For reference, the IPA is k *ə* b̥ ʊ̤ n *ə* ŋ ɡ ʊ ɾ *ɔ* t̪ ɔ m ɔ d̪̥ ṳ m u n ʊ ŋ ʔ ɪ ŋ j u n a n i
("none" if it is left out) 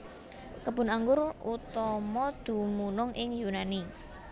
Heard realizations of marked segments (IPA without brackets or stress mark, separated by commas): ə, a, u